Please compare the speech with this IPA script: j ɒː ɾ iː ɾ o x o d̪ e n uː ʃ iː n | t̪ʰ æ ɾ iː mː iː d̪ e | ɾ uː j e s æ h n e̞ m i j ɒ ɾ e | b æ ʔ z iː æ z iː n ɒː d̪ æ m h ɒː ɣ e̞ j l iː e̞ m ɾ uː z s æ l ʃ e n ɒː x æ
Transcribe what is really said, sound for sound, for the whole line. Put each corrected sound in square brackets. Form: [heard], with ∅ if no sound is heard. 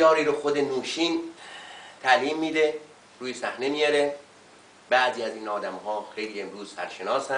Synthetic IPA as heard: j ɒː ɾ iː ɾ o x o d̪ e n uː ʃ iː n | t̪ʰ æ [l] iː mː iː d̪ e | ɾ uː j e s æ h n e̞ m i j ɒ ɾ e | b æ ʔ z iː æ z iː n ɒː d̪ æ m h ɒː [x] e̞ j l iː e̞ m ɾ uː z s æ [ɾ] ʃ e n ɒː [s] æ